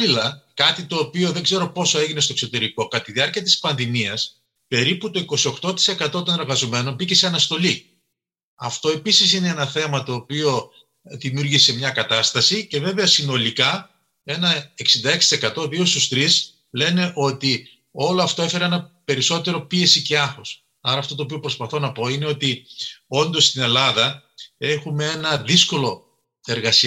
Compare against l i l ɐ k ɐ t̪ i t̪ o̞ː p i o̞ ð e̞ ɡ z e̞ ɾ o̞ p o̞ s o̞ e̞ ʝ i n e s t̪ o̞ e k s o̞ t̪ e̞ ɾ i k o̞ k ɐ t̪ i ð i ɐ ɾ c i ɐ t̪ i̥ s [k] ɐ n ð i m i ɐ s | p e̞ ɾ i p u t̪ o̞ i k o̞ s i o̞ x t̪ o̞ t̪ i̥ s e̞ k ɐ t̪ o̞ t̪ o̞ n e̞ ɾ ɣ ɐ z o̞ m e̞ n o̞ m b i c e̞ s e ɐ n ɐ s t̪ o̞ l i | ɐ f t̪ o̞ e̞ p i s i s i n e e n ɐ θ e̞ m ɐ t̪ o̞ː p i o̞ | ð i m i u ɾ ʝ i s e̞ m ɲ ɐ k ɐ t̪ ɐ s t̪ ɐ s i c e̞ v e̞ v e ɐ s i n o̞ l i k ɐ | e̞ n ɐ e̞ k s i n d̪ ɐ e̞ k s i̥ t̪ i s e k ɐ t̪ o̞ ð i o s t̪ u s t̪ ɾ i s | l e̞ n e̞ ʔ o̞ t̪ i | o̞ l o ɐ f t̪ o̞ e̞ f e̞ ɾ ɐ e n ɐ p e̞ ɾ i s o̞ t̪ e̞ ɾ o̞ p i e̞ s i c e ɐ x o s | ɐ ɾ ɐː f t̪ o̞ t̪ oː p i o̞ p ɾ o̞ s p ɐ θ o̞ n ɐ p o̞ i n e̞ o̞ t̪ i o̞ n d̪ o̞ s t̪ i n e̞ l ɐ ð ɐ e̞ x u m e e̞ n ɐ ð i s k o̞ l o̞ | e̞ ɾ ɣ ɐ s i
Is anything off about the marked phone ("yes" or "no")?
yes